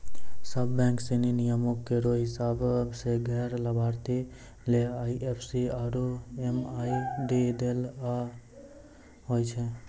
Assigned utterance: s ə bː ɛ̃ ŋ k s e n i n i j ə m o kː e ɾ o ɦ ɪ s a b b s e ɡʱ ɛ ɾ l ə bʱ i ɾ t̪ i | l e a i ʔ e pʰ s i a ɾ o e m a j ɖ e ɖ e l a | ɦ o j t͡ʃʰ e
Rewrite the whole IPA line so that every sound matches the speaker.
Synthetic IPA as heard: s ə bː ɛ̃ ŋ k s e n i n i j ə m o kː e ɾ o ɦ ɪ s a b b s e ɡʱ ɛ ɾ l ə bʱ a ɾ t̪ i | l e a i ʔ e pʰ s i a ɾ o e m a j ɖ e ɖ e l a | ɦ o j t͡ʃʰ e